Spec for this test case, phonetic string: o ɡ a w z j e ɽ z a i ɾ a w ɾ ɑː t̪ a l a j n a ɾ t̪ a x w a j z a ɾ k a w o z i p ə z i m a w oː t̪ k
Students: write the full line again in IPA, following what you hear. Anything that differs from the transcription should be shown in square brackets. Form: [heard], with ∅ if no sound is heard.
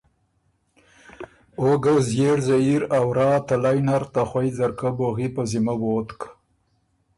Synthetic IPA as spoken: o ɡ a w z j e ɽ z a i ɾ a w ɾ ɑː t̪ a l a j n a ɾ t̪ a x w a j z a ɾ k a [b] o [ɣ] i p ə z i m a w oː t̪ k